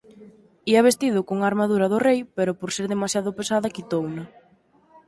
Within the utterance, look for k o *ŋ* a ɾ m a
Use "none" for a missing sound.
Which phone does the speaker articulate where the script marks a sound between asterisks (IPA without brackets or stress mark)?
ŋ